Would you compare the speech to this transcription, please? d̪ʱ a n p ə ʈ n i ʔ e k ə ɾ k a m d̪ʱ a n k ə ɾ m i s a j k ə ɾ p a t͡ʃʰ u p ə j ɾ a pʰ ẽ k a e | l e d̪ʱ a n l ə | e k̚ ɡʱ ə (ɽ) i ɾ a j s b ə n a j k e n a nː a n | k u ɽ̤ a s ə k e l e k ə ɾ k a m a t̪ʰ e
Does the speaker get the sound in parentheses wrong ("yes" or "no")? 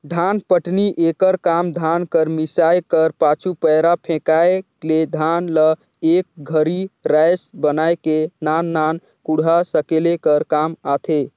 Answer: yes